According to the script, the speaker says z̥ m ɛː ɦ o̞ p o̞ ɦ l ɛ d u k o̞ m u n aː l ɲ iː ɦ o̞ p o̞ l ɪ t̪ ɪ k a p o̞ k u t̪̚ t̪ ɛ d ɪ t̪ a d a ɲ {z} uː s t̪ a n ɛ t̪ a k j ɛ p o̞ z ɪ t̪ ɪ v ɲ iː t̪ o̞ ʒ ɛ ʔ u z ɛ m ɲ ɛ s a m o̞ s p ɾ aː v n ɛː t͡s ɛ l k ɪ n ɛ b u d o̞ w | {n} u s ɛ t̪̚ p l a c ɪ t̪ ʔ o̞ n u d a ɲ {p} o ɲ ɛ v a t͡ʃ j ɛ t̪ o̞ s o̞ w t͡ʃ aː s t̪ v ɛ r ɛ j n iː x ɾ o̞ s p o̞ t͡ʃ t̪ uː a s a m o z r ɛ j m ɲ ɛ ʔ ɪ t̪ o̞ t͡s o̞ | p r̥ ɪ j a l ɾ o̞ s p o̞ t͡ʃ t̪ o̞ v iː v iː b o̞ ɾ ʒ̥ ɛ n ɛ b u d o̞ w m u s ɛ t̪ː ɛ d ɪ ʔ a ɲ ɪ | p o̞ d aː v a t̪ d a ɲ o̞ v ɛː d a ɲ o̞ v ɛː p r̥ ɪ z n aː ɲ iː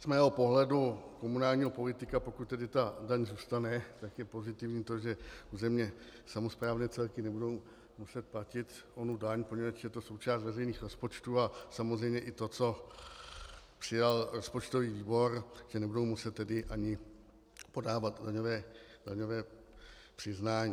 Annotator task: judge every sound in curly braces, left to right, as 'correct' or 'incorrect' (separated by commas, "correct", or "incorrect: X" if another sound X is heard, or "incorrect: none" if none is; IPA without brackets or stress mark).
correct, incorrect: m, correct